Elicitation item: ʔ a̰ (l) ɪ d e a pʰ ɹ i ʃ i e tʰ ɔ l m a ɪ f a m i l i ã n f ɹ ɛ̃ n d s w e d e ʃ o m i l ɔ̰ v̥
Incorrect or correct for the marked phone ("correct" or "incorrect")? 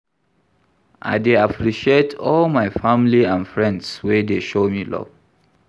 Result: incorrect